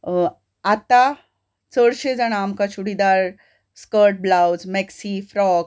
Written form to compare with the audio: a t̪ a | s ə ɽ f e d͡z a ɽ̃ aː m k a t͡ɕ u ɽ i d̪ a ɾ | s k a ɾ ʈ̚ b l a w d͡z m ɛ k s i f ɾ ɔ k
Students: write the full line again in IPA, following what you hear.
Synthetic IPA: a t̪ a | t͡s ə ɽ ɕ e d͡z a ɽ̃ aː m k a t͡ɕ u ɽ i d̪ a ɾ | s k ə ɾ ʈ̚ b l a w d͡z m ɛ k s i f ɾ ɔ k